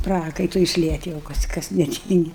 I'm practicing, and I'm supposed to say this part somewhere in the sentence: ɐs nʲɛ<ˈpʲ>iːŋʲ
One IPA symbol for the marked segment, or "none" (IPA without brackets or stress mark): tʲ